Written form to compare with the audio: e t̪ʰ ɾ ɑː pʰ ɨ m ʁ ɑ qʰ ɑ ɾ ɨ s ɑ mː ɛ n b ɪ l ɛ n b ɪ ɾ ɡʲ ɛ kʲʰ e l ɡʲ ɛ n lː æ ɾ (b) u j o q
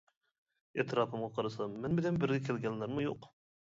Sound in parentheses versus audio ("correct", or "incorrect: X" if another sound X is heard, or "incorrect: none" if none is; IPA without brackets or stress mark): incorrect: m